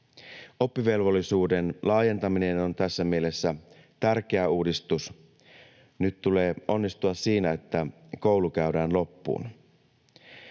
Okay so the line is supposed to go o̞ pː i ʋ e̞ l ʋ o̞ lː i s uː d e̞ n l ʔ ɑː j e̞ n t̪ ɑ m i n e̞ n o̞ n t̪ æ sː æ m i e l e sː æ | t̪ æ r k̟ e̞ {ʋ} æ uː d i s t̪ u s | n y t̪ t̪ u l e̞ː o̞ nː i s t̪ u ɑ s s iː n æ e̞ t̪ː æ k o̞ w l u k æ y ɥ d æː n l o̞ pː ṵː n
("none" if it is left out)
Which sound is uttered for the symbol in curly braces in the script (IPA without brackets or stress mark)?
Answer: none